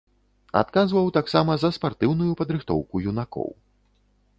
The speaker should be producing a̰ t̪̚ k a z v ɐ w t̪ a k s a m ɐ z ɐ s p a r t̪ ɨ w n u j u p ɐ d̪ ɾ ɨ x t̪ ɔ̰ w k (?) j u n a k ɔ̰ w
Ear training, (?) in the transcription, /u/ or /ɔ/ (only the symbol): u